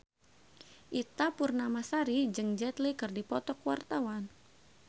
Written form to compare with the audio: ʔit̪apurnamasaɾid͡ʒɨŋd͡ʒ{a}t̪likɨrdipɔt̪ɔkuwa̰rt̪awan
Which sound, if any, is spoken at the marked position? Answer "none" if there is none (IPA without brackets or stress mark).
ɛ